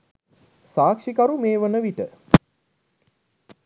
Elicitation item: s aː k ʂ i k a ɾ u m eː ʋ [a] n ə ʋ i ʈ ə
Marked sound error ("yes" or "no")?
yes